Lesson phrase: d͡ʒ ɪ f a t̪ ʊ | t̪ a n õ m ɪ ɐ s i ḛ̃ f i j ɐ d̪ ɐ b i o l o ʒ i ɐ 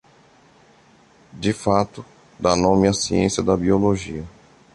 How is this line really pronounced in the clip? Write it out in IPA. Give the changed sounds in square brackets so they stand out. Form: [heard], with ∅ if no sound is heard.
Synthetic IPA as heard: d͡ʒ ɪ f a t̪ ʊ | [d̪] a n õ m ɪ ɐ s i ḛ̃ [s] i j ɐ d̪ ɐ b i o l o ʒ i ɐ